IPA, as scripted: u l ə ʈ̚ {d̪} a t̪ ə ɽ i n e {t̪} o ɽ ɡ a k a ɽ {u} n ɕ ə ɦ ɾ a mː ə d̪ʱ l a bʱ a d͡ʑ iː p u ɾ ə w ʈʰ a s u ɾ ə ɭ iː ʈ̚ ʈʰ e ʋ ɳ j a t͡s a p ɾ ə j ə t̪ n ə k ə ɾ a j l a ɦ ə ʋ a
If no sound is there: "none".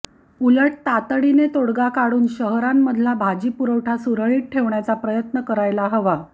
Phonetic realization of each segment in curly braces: t̪, t̪, uː

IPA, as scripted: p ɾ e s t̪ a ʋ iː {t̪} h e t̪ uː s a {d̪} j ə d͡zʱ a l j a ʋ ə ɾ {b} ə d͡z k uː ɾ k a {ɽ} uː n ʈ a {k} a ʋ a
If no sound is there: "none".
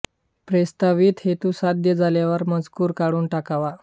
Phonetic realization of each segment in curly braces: t̪, d̪, m, ɽ, k

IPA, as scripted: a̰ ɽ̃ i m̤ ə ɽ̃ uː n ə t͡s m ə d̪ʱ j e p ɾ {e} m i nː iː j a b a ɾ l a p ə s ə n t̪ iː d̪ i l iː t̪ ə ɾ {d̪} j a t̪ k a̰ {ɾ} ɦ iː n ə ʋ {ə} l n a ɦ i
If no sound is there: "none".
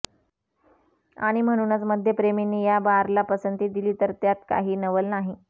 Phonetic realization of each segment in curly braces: e, t̪, none, ə

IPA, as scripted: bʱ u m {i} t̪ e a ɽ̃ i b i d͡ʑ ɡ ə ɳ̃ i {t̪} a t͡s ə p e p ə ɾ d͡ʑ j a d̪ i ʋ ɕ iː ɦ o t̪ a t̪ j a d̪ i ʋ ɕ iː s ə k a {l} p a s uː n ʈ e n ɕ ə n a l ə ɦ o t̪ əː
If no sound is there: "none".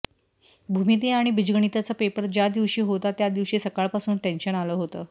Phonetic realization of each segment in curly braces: i, t̪, ɭ

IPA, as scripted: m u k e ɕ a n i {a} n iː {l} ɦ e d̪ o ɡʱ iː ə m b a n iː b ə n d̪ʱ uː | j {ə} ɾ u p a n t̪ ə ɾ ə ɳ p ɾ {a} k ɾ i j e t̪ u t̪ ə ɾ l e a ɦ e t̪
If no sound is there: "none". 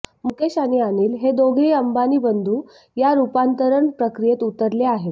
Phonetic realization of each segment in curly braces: a, l, a, ə

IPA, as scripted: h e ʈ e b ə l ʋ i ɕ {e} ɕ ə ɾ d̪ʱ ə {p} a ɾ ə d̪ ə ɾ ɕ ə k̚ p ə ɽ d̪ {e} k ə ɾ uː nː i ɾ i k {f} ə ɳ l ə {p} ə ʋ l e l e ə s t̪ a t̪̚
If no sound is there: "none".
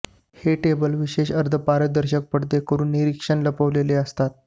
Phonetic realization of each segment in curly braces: e, p, e, ʂ, p

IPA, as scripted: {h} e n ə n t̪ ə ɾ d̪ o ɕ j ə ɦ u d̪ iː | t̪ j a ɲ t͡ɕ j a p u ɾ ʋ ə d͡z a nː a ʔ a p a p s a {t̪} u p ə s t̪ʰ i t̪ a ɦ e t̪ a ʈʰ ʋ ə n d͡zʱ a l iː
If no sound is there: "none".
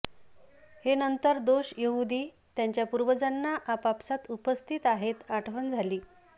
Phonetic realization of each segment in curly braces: h, t̪

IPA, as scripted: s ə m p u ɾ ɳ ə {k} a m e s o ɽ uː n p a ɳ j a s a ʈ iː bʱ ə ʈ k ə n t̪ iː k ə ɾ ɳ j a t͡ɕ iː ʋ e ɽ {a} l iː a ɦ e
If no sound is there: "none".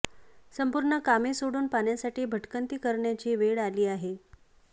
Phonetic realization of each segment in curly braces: k, a

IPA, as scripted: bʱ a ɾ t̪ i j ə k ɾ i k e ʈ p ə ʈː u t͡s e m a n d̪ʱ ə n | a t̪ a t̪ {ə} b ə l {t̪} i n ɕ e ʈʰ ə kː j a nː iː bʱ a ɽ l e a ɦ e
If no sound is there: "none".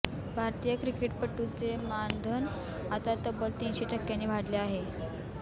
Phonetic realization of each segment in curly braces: ə, t̪

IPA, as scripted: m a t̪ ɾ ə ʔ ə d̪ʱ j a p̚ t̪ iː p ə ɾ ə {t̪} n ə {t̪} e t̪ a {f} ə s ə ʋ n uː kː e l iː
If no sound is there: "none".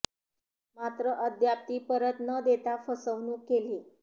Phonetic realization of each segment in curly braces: t̪, d̪, f

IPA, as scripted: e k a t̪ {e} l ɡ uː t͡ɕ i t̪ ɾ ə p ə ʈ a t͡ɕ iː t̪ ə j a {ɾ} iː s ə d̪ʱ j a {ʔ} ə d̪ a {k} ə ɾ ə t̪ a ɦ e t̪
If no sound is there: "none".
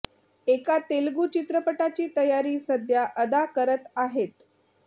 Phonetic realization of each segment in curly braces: e, ɾ, ʔ, k

